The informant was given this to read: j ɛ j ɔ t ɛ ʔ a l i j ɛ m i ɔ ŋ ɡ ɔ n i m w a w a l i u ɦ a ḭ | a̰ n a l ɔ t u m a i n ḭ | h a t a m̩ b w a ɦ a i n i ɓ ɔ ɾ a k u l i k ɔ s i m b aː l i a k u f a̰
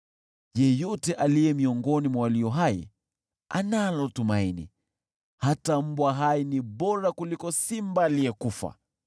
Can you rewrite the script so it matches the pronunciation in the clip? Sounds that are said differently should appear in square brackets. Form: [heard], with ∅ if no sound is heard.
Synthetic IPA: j ɛ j ɔ t ɛ ʔ a l i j ɛ m i ɔ ŋ ɡ ɔ n i m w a w a l i [ɔ] ɦ a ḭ | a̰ n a l ɔ t u m a i n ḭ | h a t a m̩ b w a ɦ a i n i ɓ ɔ ɾ a k u l i k ɔ s i m b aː l i [ɛ] k u f a̰